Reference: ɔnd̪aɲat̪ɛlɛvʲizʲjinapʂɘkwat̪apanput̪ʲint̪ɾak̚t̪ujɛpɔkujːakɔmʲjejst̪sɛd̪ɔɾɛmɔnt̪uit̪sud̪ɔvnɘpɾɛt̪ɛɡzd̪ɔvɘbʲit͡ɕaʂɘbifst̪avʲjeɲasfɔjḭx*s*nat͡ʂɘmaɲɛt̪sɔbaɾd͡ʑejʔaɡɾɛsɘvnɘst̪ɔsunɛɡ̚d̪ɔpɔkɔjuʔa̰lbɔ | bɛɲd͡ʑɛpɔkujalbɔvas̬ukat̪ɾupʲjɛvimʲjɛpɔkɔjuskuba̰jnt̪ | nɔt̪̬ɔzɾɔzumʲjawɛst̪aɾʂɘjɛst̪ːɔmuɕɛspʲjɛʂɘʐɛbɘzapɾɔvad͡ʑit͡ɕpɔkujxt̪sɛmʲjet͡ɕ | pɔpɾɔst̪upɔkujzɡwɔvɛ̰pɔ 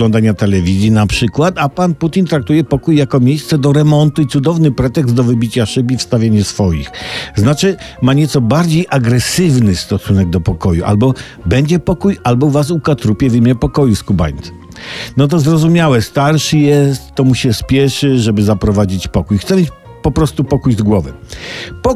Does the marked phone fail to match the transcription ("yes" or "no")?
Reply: yes